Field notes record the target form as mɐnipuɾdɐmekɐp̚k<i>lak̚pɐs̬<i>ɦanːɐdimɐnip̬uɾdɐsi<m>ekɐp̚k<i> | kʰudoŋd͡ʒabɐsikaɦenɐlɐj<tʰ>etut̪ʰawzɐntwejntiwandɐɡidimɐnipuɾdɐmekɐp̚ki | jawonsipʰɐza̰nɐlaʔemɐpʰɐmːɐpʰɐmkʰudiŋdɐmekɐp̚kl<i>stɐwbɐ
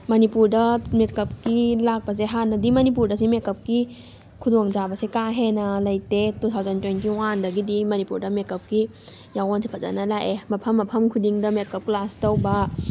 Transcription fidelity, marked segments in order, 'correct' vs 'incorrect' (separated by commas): correct, incorrect, correct, correct, incorrect, incorrect